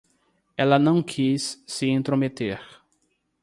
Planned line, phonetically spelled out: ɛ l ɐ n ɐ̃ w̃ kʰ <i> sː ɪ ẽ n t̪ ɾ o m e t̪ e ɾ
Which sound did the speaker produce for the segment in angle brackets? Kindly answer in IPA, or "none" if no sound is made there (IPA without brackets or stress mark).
i